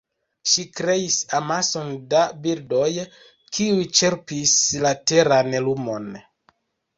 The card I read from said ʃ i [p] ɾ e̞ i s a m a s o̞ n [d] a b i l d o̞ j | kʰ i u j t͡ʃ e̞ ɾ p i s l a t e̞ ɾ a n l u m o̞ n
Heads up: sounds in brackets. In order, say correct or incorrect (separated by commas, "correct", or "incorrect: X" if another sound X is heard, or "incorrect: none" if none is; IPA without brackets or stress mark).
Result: incorrect: k, correct